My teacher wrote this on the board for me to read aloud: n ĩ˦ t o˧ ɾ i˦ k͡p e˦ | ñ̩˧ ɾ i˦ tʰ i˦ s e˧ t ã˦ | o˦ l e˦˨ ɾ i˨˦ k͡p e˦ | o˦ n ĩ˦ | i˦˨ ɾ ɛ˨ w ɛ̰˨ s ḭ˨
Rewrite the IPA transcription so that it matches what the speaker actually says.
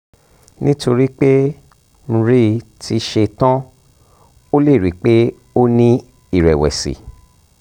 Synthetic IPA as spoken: n ĩ˦ t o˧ ɾ i˦ k͡p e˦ | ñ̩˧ ɾ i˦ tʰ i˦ ʃ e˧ t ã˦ | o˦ l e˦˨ ɾ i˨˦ k͡p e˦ | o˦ n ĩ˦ | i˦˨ ɾ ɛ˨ w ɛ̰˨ s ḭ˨